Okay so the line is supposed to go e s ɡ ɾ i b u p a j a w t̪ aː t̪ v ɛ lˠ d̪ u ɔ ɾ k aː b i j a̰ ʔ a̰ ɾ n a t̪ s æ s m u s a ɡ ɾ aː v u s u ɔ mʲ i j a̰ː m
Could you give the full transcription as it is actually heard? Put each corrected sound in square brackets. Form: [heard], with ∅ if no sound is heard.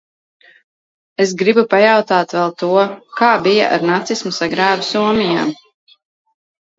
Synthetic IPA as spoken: e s ɡ ɾ i b u p a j a w t̪ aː t̪ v ɛ lˠ [t̪] u ɔ [∅] k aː b i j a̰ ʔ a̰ ɾ n a t̪ s [i] s m u s a ɡ ɾ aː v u s u ɔ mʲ i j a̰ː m